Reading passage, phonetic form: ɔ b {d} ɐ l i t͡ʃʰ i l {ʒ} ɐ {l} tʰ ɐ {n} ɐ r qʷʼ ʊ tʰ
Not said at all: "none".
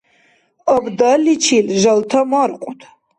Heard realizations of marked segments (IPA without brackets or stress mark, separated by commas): d, ʒ, l, m